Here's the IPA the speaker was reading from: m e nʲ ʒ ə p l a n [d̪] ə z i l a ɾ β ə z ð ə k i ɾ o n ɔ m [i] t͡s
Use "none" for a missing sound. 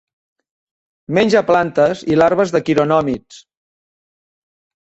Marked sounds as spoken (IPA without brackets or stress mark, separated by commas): t̪, i